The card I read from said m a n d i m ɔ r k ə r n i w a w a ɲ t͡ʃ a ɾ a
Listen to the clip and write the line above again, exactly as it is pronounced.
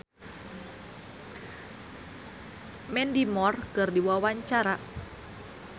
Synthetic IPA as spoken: m ɛ n d i m ɔ r k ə r d i w a w a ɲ t͡ʃ a ɾ a